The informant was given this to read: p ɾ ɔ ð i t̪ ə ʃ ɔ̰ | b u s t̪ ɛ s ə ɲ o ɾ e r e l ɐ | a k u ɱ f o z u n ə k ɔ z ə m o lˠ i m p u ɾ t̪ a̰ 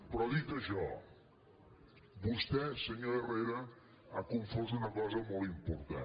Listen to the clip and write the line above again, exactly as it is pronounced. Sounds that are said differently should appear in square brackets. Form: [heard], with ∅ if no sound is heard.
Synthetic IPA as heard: p ɾ ɔ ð i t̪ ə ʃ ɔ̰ | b u s t̪ ɛ s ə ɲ o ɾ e r e [ɾ] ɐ | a k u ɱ f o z u n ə k ɔ z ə m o lˠ i m p u ɾ t̪ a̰